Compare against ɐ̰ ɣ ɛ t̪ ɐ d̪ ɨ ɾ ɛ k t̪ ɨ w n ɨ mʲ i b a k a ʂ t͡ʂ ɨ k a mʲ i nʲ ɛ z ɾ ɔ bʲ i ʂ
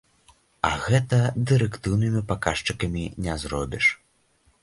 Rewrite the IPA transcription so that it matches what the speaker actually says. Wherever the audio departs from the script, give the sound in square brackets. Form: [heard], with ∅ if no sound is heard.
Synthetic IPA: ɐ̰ ɣ ɛ t̪ ɐ d̪ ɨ ɾ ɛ k t̪ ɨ w n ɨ mʲ i [p] a k a ʂ t͡ʂ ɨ k [ɐ] mʲ i nʲ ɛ z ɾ ɔ bʲ i ʂ